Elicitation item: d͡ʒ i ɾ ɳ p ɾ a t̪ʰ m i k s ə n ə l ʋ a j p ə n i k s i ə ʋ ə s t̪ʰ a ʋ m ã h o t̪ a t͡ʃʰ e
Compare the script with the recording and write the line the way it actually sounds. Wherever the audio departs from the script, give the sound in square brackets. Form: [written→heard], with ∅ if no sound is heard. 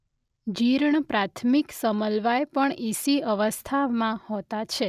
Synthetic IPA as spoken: d͡ʒ i ɾ ɳ p ɾ a t̪ʰ m i k s ə [n→m] ə l ʋ a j p ə [n→ɳ] i [k→∅] s i ə ʋ ə s t̪ʰ a ʋ m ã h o t̪ a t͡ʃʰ e